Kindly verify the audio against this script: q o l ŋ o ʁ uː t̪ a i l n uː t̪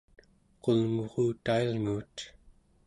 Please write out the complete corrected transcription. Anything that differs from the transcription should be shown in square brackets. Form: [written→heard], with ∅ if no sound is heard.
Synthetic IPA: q o l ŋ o ʁ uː t̪ a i l [n→ŋ] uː t̪